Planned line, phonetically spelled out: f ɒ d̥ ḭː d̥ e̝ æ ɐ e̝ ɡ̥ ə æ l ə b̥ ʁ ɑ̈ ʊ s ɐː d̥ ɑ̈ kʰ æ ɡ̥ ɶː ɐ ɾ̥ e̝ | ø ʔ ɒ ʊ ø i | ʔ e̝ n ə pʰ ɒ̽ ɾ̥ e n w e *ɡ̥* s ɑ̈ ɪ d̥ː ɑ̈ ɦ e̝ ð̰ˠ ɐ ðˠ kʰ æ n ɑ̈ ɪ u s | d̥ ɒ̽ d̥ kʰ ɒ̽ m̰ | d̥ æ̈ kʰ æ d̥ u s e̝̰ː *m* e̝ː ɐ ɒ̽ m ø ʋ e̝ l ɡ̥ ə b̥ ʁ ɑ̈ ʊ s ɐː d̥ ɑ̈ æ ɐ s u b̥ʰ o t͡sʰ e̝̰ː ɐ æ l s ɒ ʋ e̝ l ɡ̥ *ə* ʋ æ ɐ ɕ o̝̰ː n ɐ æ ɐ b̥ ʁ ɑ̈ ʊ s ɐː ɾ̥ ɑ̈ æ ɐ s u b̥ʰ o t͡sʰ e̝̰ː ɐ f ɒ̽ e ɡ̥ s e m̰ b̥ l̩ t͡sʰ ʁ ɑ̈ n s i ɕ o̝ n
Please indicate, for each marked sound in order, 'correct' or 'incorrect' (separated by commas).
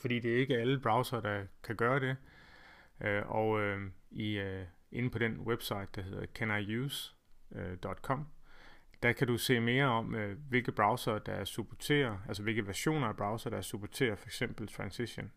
incorrect, correct, correct